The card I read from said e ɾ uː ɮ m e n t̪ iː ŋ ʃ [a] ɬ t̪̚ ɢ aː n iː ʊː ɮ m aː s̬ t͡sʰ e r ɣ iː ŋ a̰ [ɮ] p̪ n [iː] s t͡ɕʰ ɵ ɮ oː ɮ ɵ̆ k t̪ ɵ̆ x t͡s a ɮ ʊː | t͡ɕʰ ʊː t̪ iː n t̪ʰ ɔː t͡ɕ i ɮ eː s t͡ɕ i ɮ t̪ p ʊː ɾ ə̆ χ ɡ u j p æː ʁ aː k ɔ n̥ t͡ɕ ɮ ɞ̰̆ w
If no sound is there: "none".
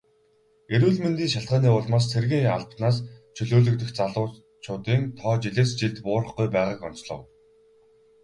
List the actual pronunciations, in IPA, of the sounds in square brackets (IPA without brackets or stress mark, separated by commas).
a, ɮ, aː